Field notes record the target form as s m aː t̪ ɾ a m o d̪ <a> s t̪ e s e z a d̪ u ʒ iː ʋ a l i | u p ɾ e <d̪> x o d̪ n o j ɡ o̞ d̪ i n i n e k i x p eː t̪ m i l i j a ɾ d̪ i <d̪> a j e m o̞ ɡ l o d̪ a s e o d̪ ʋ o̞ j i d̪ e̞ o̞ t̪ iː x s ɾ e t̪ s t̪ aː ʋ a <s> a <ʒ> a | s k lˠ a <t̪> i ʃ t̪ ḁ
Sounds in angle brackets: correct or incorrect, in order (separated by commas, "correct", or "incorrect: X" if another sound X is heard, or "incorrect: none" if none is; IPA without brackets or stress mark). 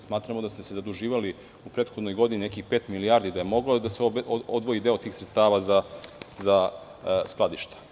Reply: correct, incorrect: t̪, correct, incorrect: z, incorrect: z, incorrect: d̪